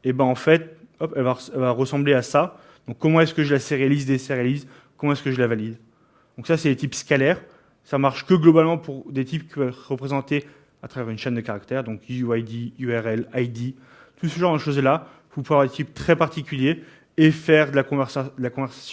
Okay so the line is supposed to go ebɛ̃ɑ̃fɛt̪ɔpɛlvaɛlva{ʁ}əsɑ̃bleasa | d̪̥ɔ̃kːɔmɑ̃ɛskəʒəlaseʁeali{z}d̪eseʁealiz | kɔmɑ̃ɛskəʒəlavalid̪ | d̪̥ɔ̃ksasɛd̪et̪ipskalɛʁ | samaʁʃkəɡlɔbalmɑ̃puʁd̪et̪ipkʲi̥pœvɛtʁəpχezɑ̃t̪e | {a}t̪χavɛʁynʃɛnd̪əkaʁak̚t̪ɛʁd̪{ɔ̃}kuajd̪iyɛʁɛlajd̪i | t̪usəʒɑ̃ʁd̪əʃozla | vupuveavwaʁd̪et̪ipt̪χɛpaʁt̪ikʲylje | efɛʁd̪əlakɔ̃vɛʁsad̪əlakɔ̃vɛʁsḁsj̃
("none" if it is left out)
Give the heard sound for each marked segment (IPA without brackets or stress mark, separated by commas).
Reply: ʁ, z, a, ɔ̃